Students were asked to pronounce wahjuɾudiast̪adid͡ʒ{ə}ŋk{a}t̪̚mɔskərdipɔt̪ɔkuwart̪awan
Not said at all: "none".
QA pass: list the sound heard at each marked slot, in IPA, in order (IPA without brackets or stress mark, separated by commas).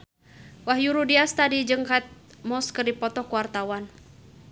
ə, a